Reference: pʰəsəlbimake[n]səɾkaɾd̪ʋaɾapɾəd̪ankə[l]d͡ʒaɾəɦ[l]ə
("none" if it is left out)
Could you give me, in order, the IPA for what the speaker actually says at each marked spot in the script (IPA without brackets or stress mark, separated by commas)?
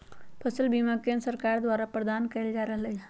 n, l, l